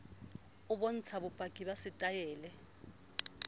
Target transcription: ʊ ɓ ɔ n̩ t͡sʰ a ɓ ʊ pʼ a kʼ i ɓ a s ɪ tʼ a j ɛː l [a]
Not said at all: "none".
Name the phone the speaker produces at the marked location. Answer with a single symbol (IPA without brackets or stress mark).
ɛ